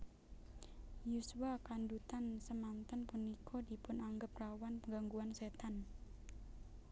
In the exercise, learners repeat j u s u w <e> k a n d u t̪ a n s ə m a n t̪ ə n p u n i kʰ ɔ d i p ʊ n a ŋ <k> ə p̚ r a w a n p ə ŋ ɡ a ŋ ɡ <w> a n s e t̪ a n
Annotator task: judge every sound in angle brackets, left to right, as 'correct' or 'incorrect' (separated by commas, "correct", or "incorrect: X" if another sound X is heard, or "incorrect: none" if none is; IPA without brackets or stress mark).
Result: incorrect: a, incorrect: ɡ, incorrect: u